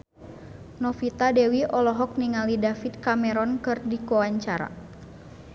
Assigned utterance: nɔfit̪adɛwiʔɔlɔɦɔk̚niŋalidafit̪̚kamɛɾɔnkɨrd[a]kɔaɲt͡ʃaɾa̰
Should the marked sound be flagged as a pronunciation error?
yes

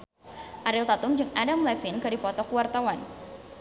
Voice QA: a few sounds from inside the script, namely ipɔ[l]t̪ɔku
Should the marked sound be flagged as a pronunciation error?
yes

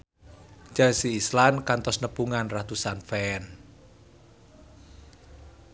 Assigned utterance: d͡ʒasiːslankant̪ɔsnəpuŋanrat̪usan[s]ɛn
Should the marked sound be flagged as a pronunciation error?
yes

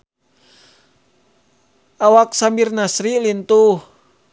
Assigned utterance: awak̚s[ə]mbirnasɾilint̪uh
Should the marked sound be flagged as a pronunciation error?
yes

